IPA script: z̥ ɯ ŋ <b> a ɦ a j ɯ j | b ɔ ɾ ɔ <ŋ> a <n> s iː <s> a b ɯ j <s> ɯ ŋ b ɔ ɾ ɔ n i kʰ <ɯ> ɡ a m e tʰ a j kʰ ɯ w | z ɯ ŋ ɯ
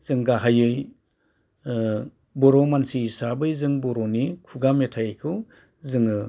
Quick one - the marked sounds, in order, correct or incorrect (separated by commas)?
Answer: incorrect, incorrect, correct, correct, incorrect, incorrect